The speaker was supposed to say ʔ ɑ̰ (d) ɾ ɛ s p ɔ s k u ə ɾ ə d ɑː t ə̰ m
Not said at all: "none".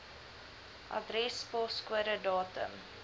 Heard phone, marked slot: d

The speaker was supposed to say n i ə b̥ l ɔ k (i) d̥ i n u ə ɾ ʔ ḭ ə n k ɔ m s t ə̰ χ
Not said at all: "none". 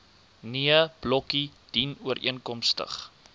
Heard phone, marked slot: i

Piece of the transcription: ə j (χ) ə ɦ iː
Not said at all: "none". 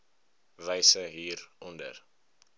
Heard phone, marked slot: s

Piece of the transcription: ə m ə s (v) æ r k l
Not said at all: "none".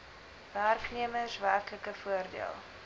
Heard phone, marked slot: v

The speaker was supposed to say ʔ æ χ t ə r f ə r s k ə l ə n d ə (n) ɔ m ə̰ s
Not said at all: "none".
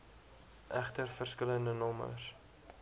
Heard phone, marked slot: n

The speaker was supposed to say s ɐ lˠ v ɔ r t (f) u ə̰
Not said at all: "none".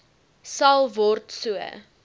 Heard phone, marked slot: s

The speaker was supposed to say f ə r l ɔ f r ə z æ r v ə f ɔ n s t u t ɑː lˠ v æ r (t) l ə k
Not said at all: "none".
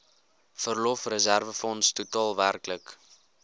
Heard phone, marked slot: k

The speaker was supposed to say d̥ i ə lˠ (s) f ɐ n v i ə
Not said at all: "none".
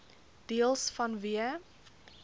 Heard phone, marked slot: s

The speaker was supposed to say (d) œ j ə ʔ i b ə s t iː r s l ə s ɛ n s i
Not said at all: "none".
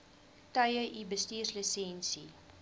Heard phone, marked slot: t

